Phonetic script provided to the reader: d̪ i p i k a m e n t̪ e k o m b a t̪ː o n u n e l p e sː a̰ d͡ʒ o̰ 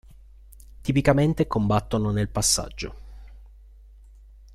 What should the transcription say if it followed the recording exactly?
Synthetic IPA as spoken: t̪ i p i k a m e n t̪ e k o m b a t̪ː o n o n e l p a sː a̰ d͡ʒː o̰